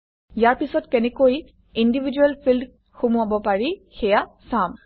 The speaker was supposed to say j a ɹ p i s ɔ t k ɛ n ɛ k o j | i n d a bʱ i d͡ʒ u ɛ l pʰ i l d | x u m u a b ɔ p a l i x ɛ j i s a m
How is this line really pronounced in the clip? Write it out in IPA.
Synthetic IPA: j a ɹ p i s ɔ t k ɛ n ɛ k o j | i n d i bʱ i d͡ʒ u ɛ l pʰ i l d | x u m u a b ɔ p a ɹ i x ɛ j a s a m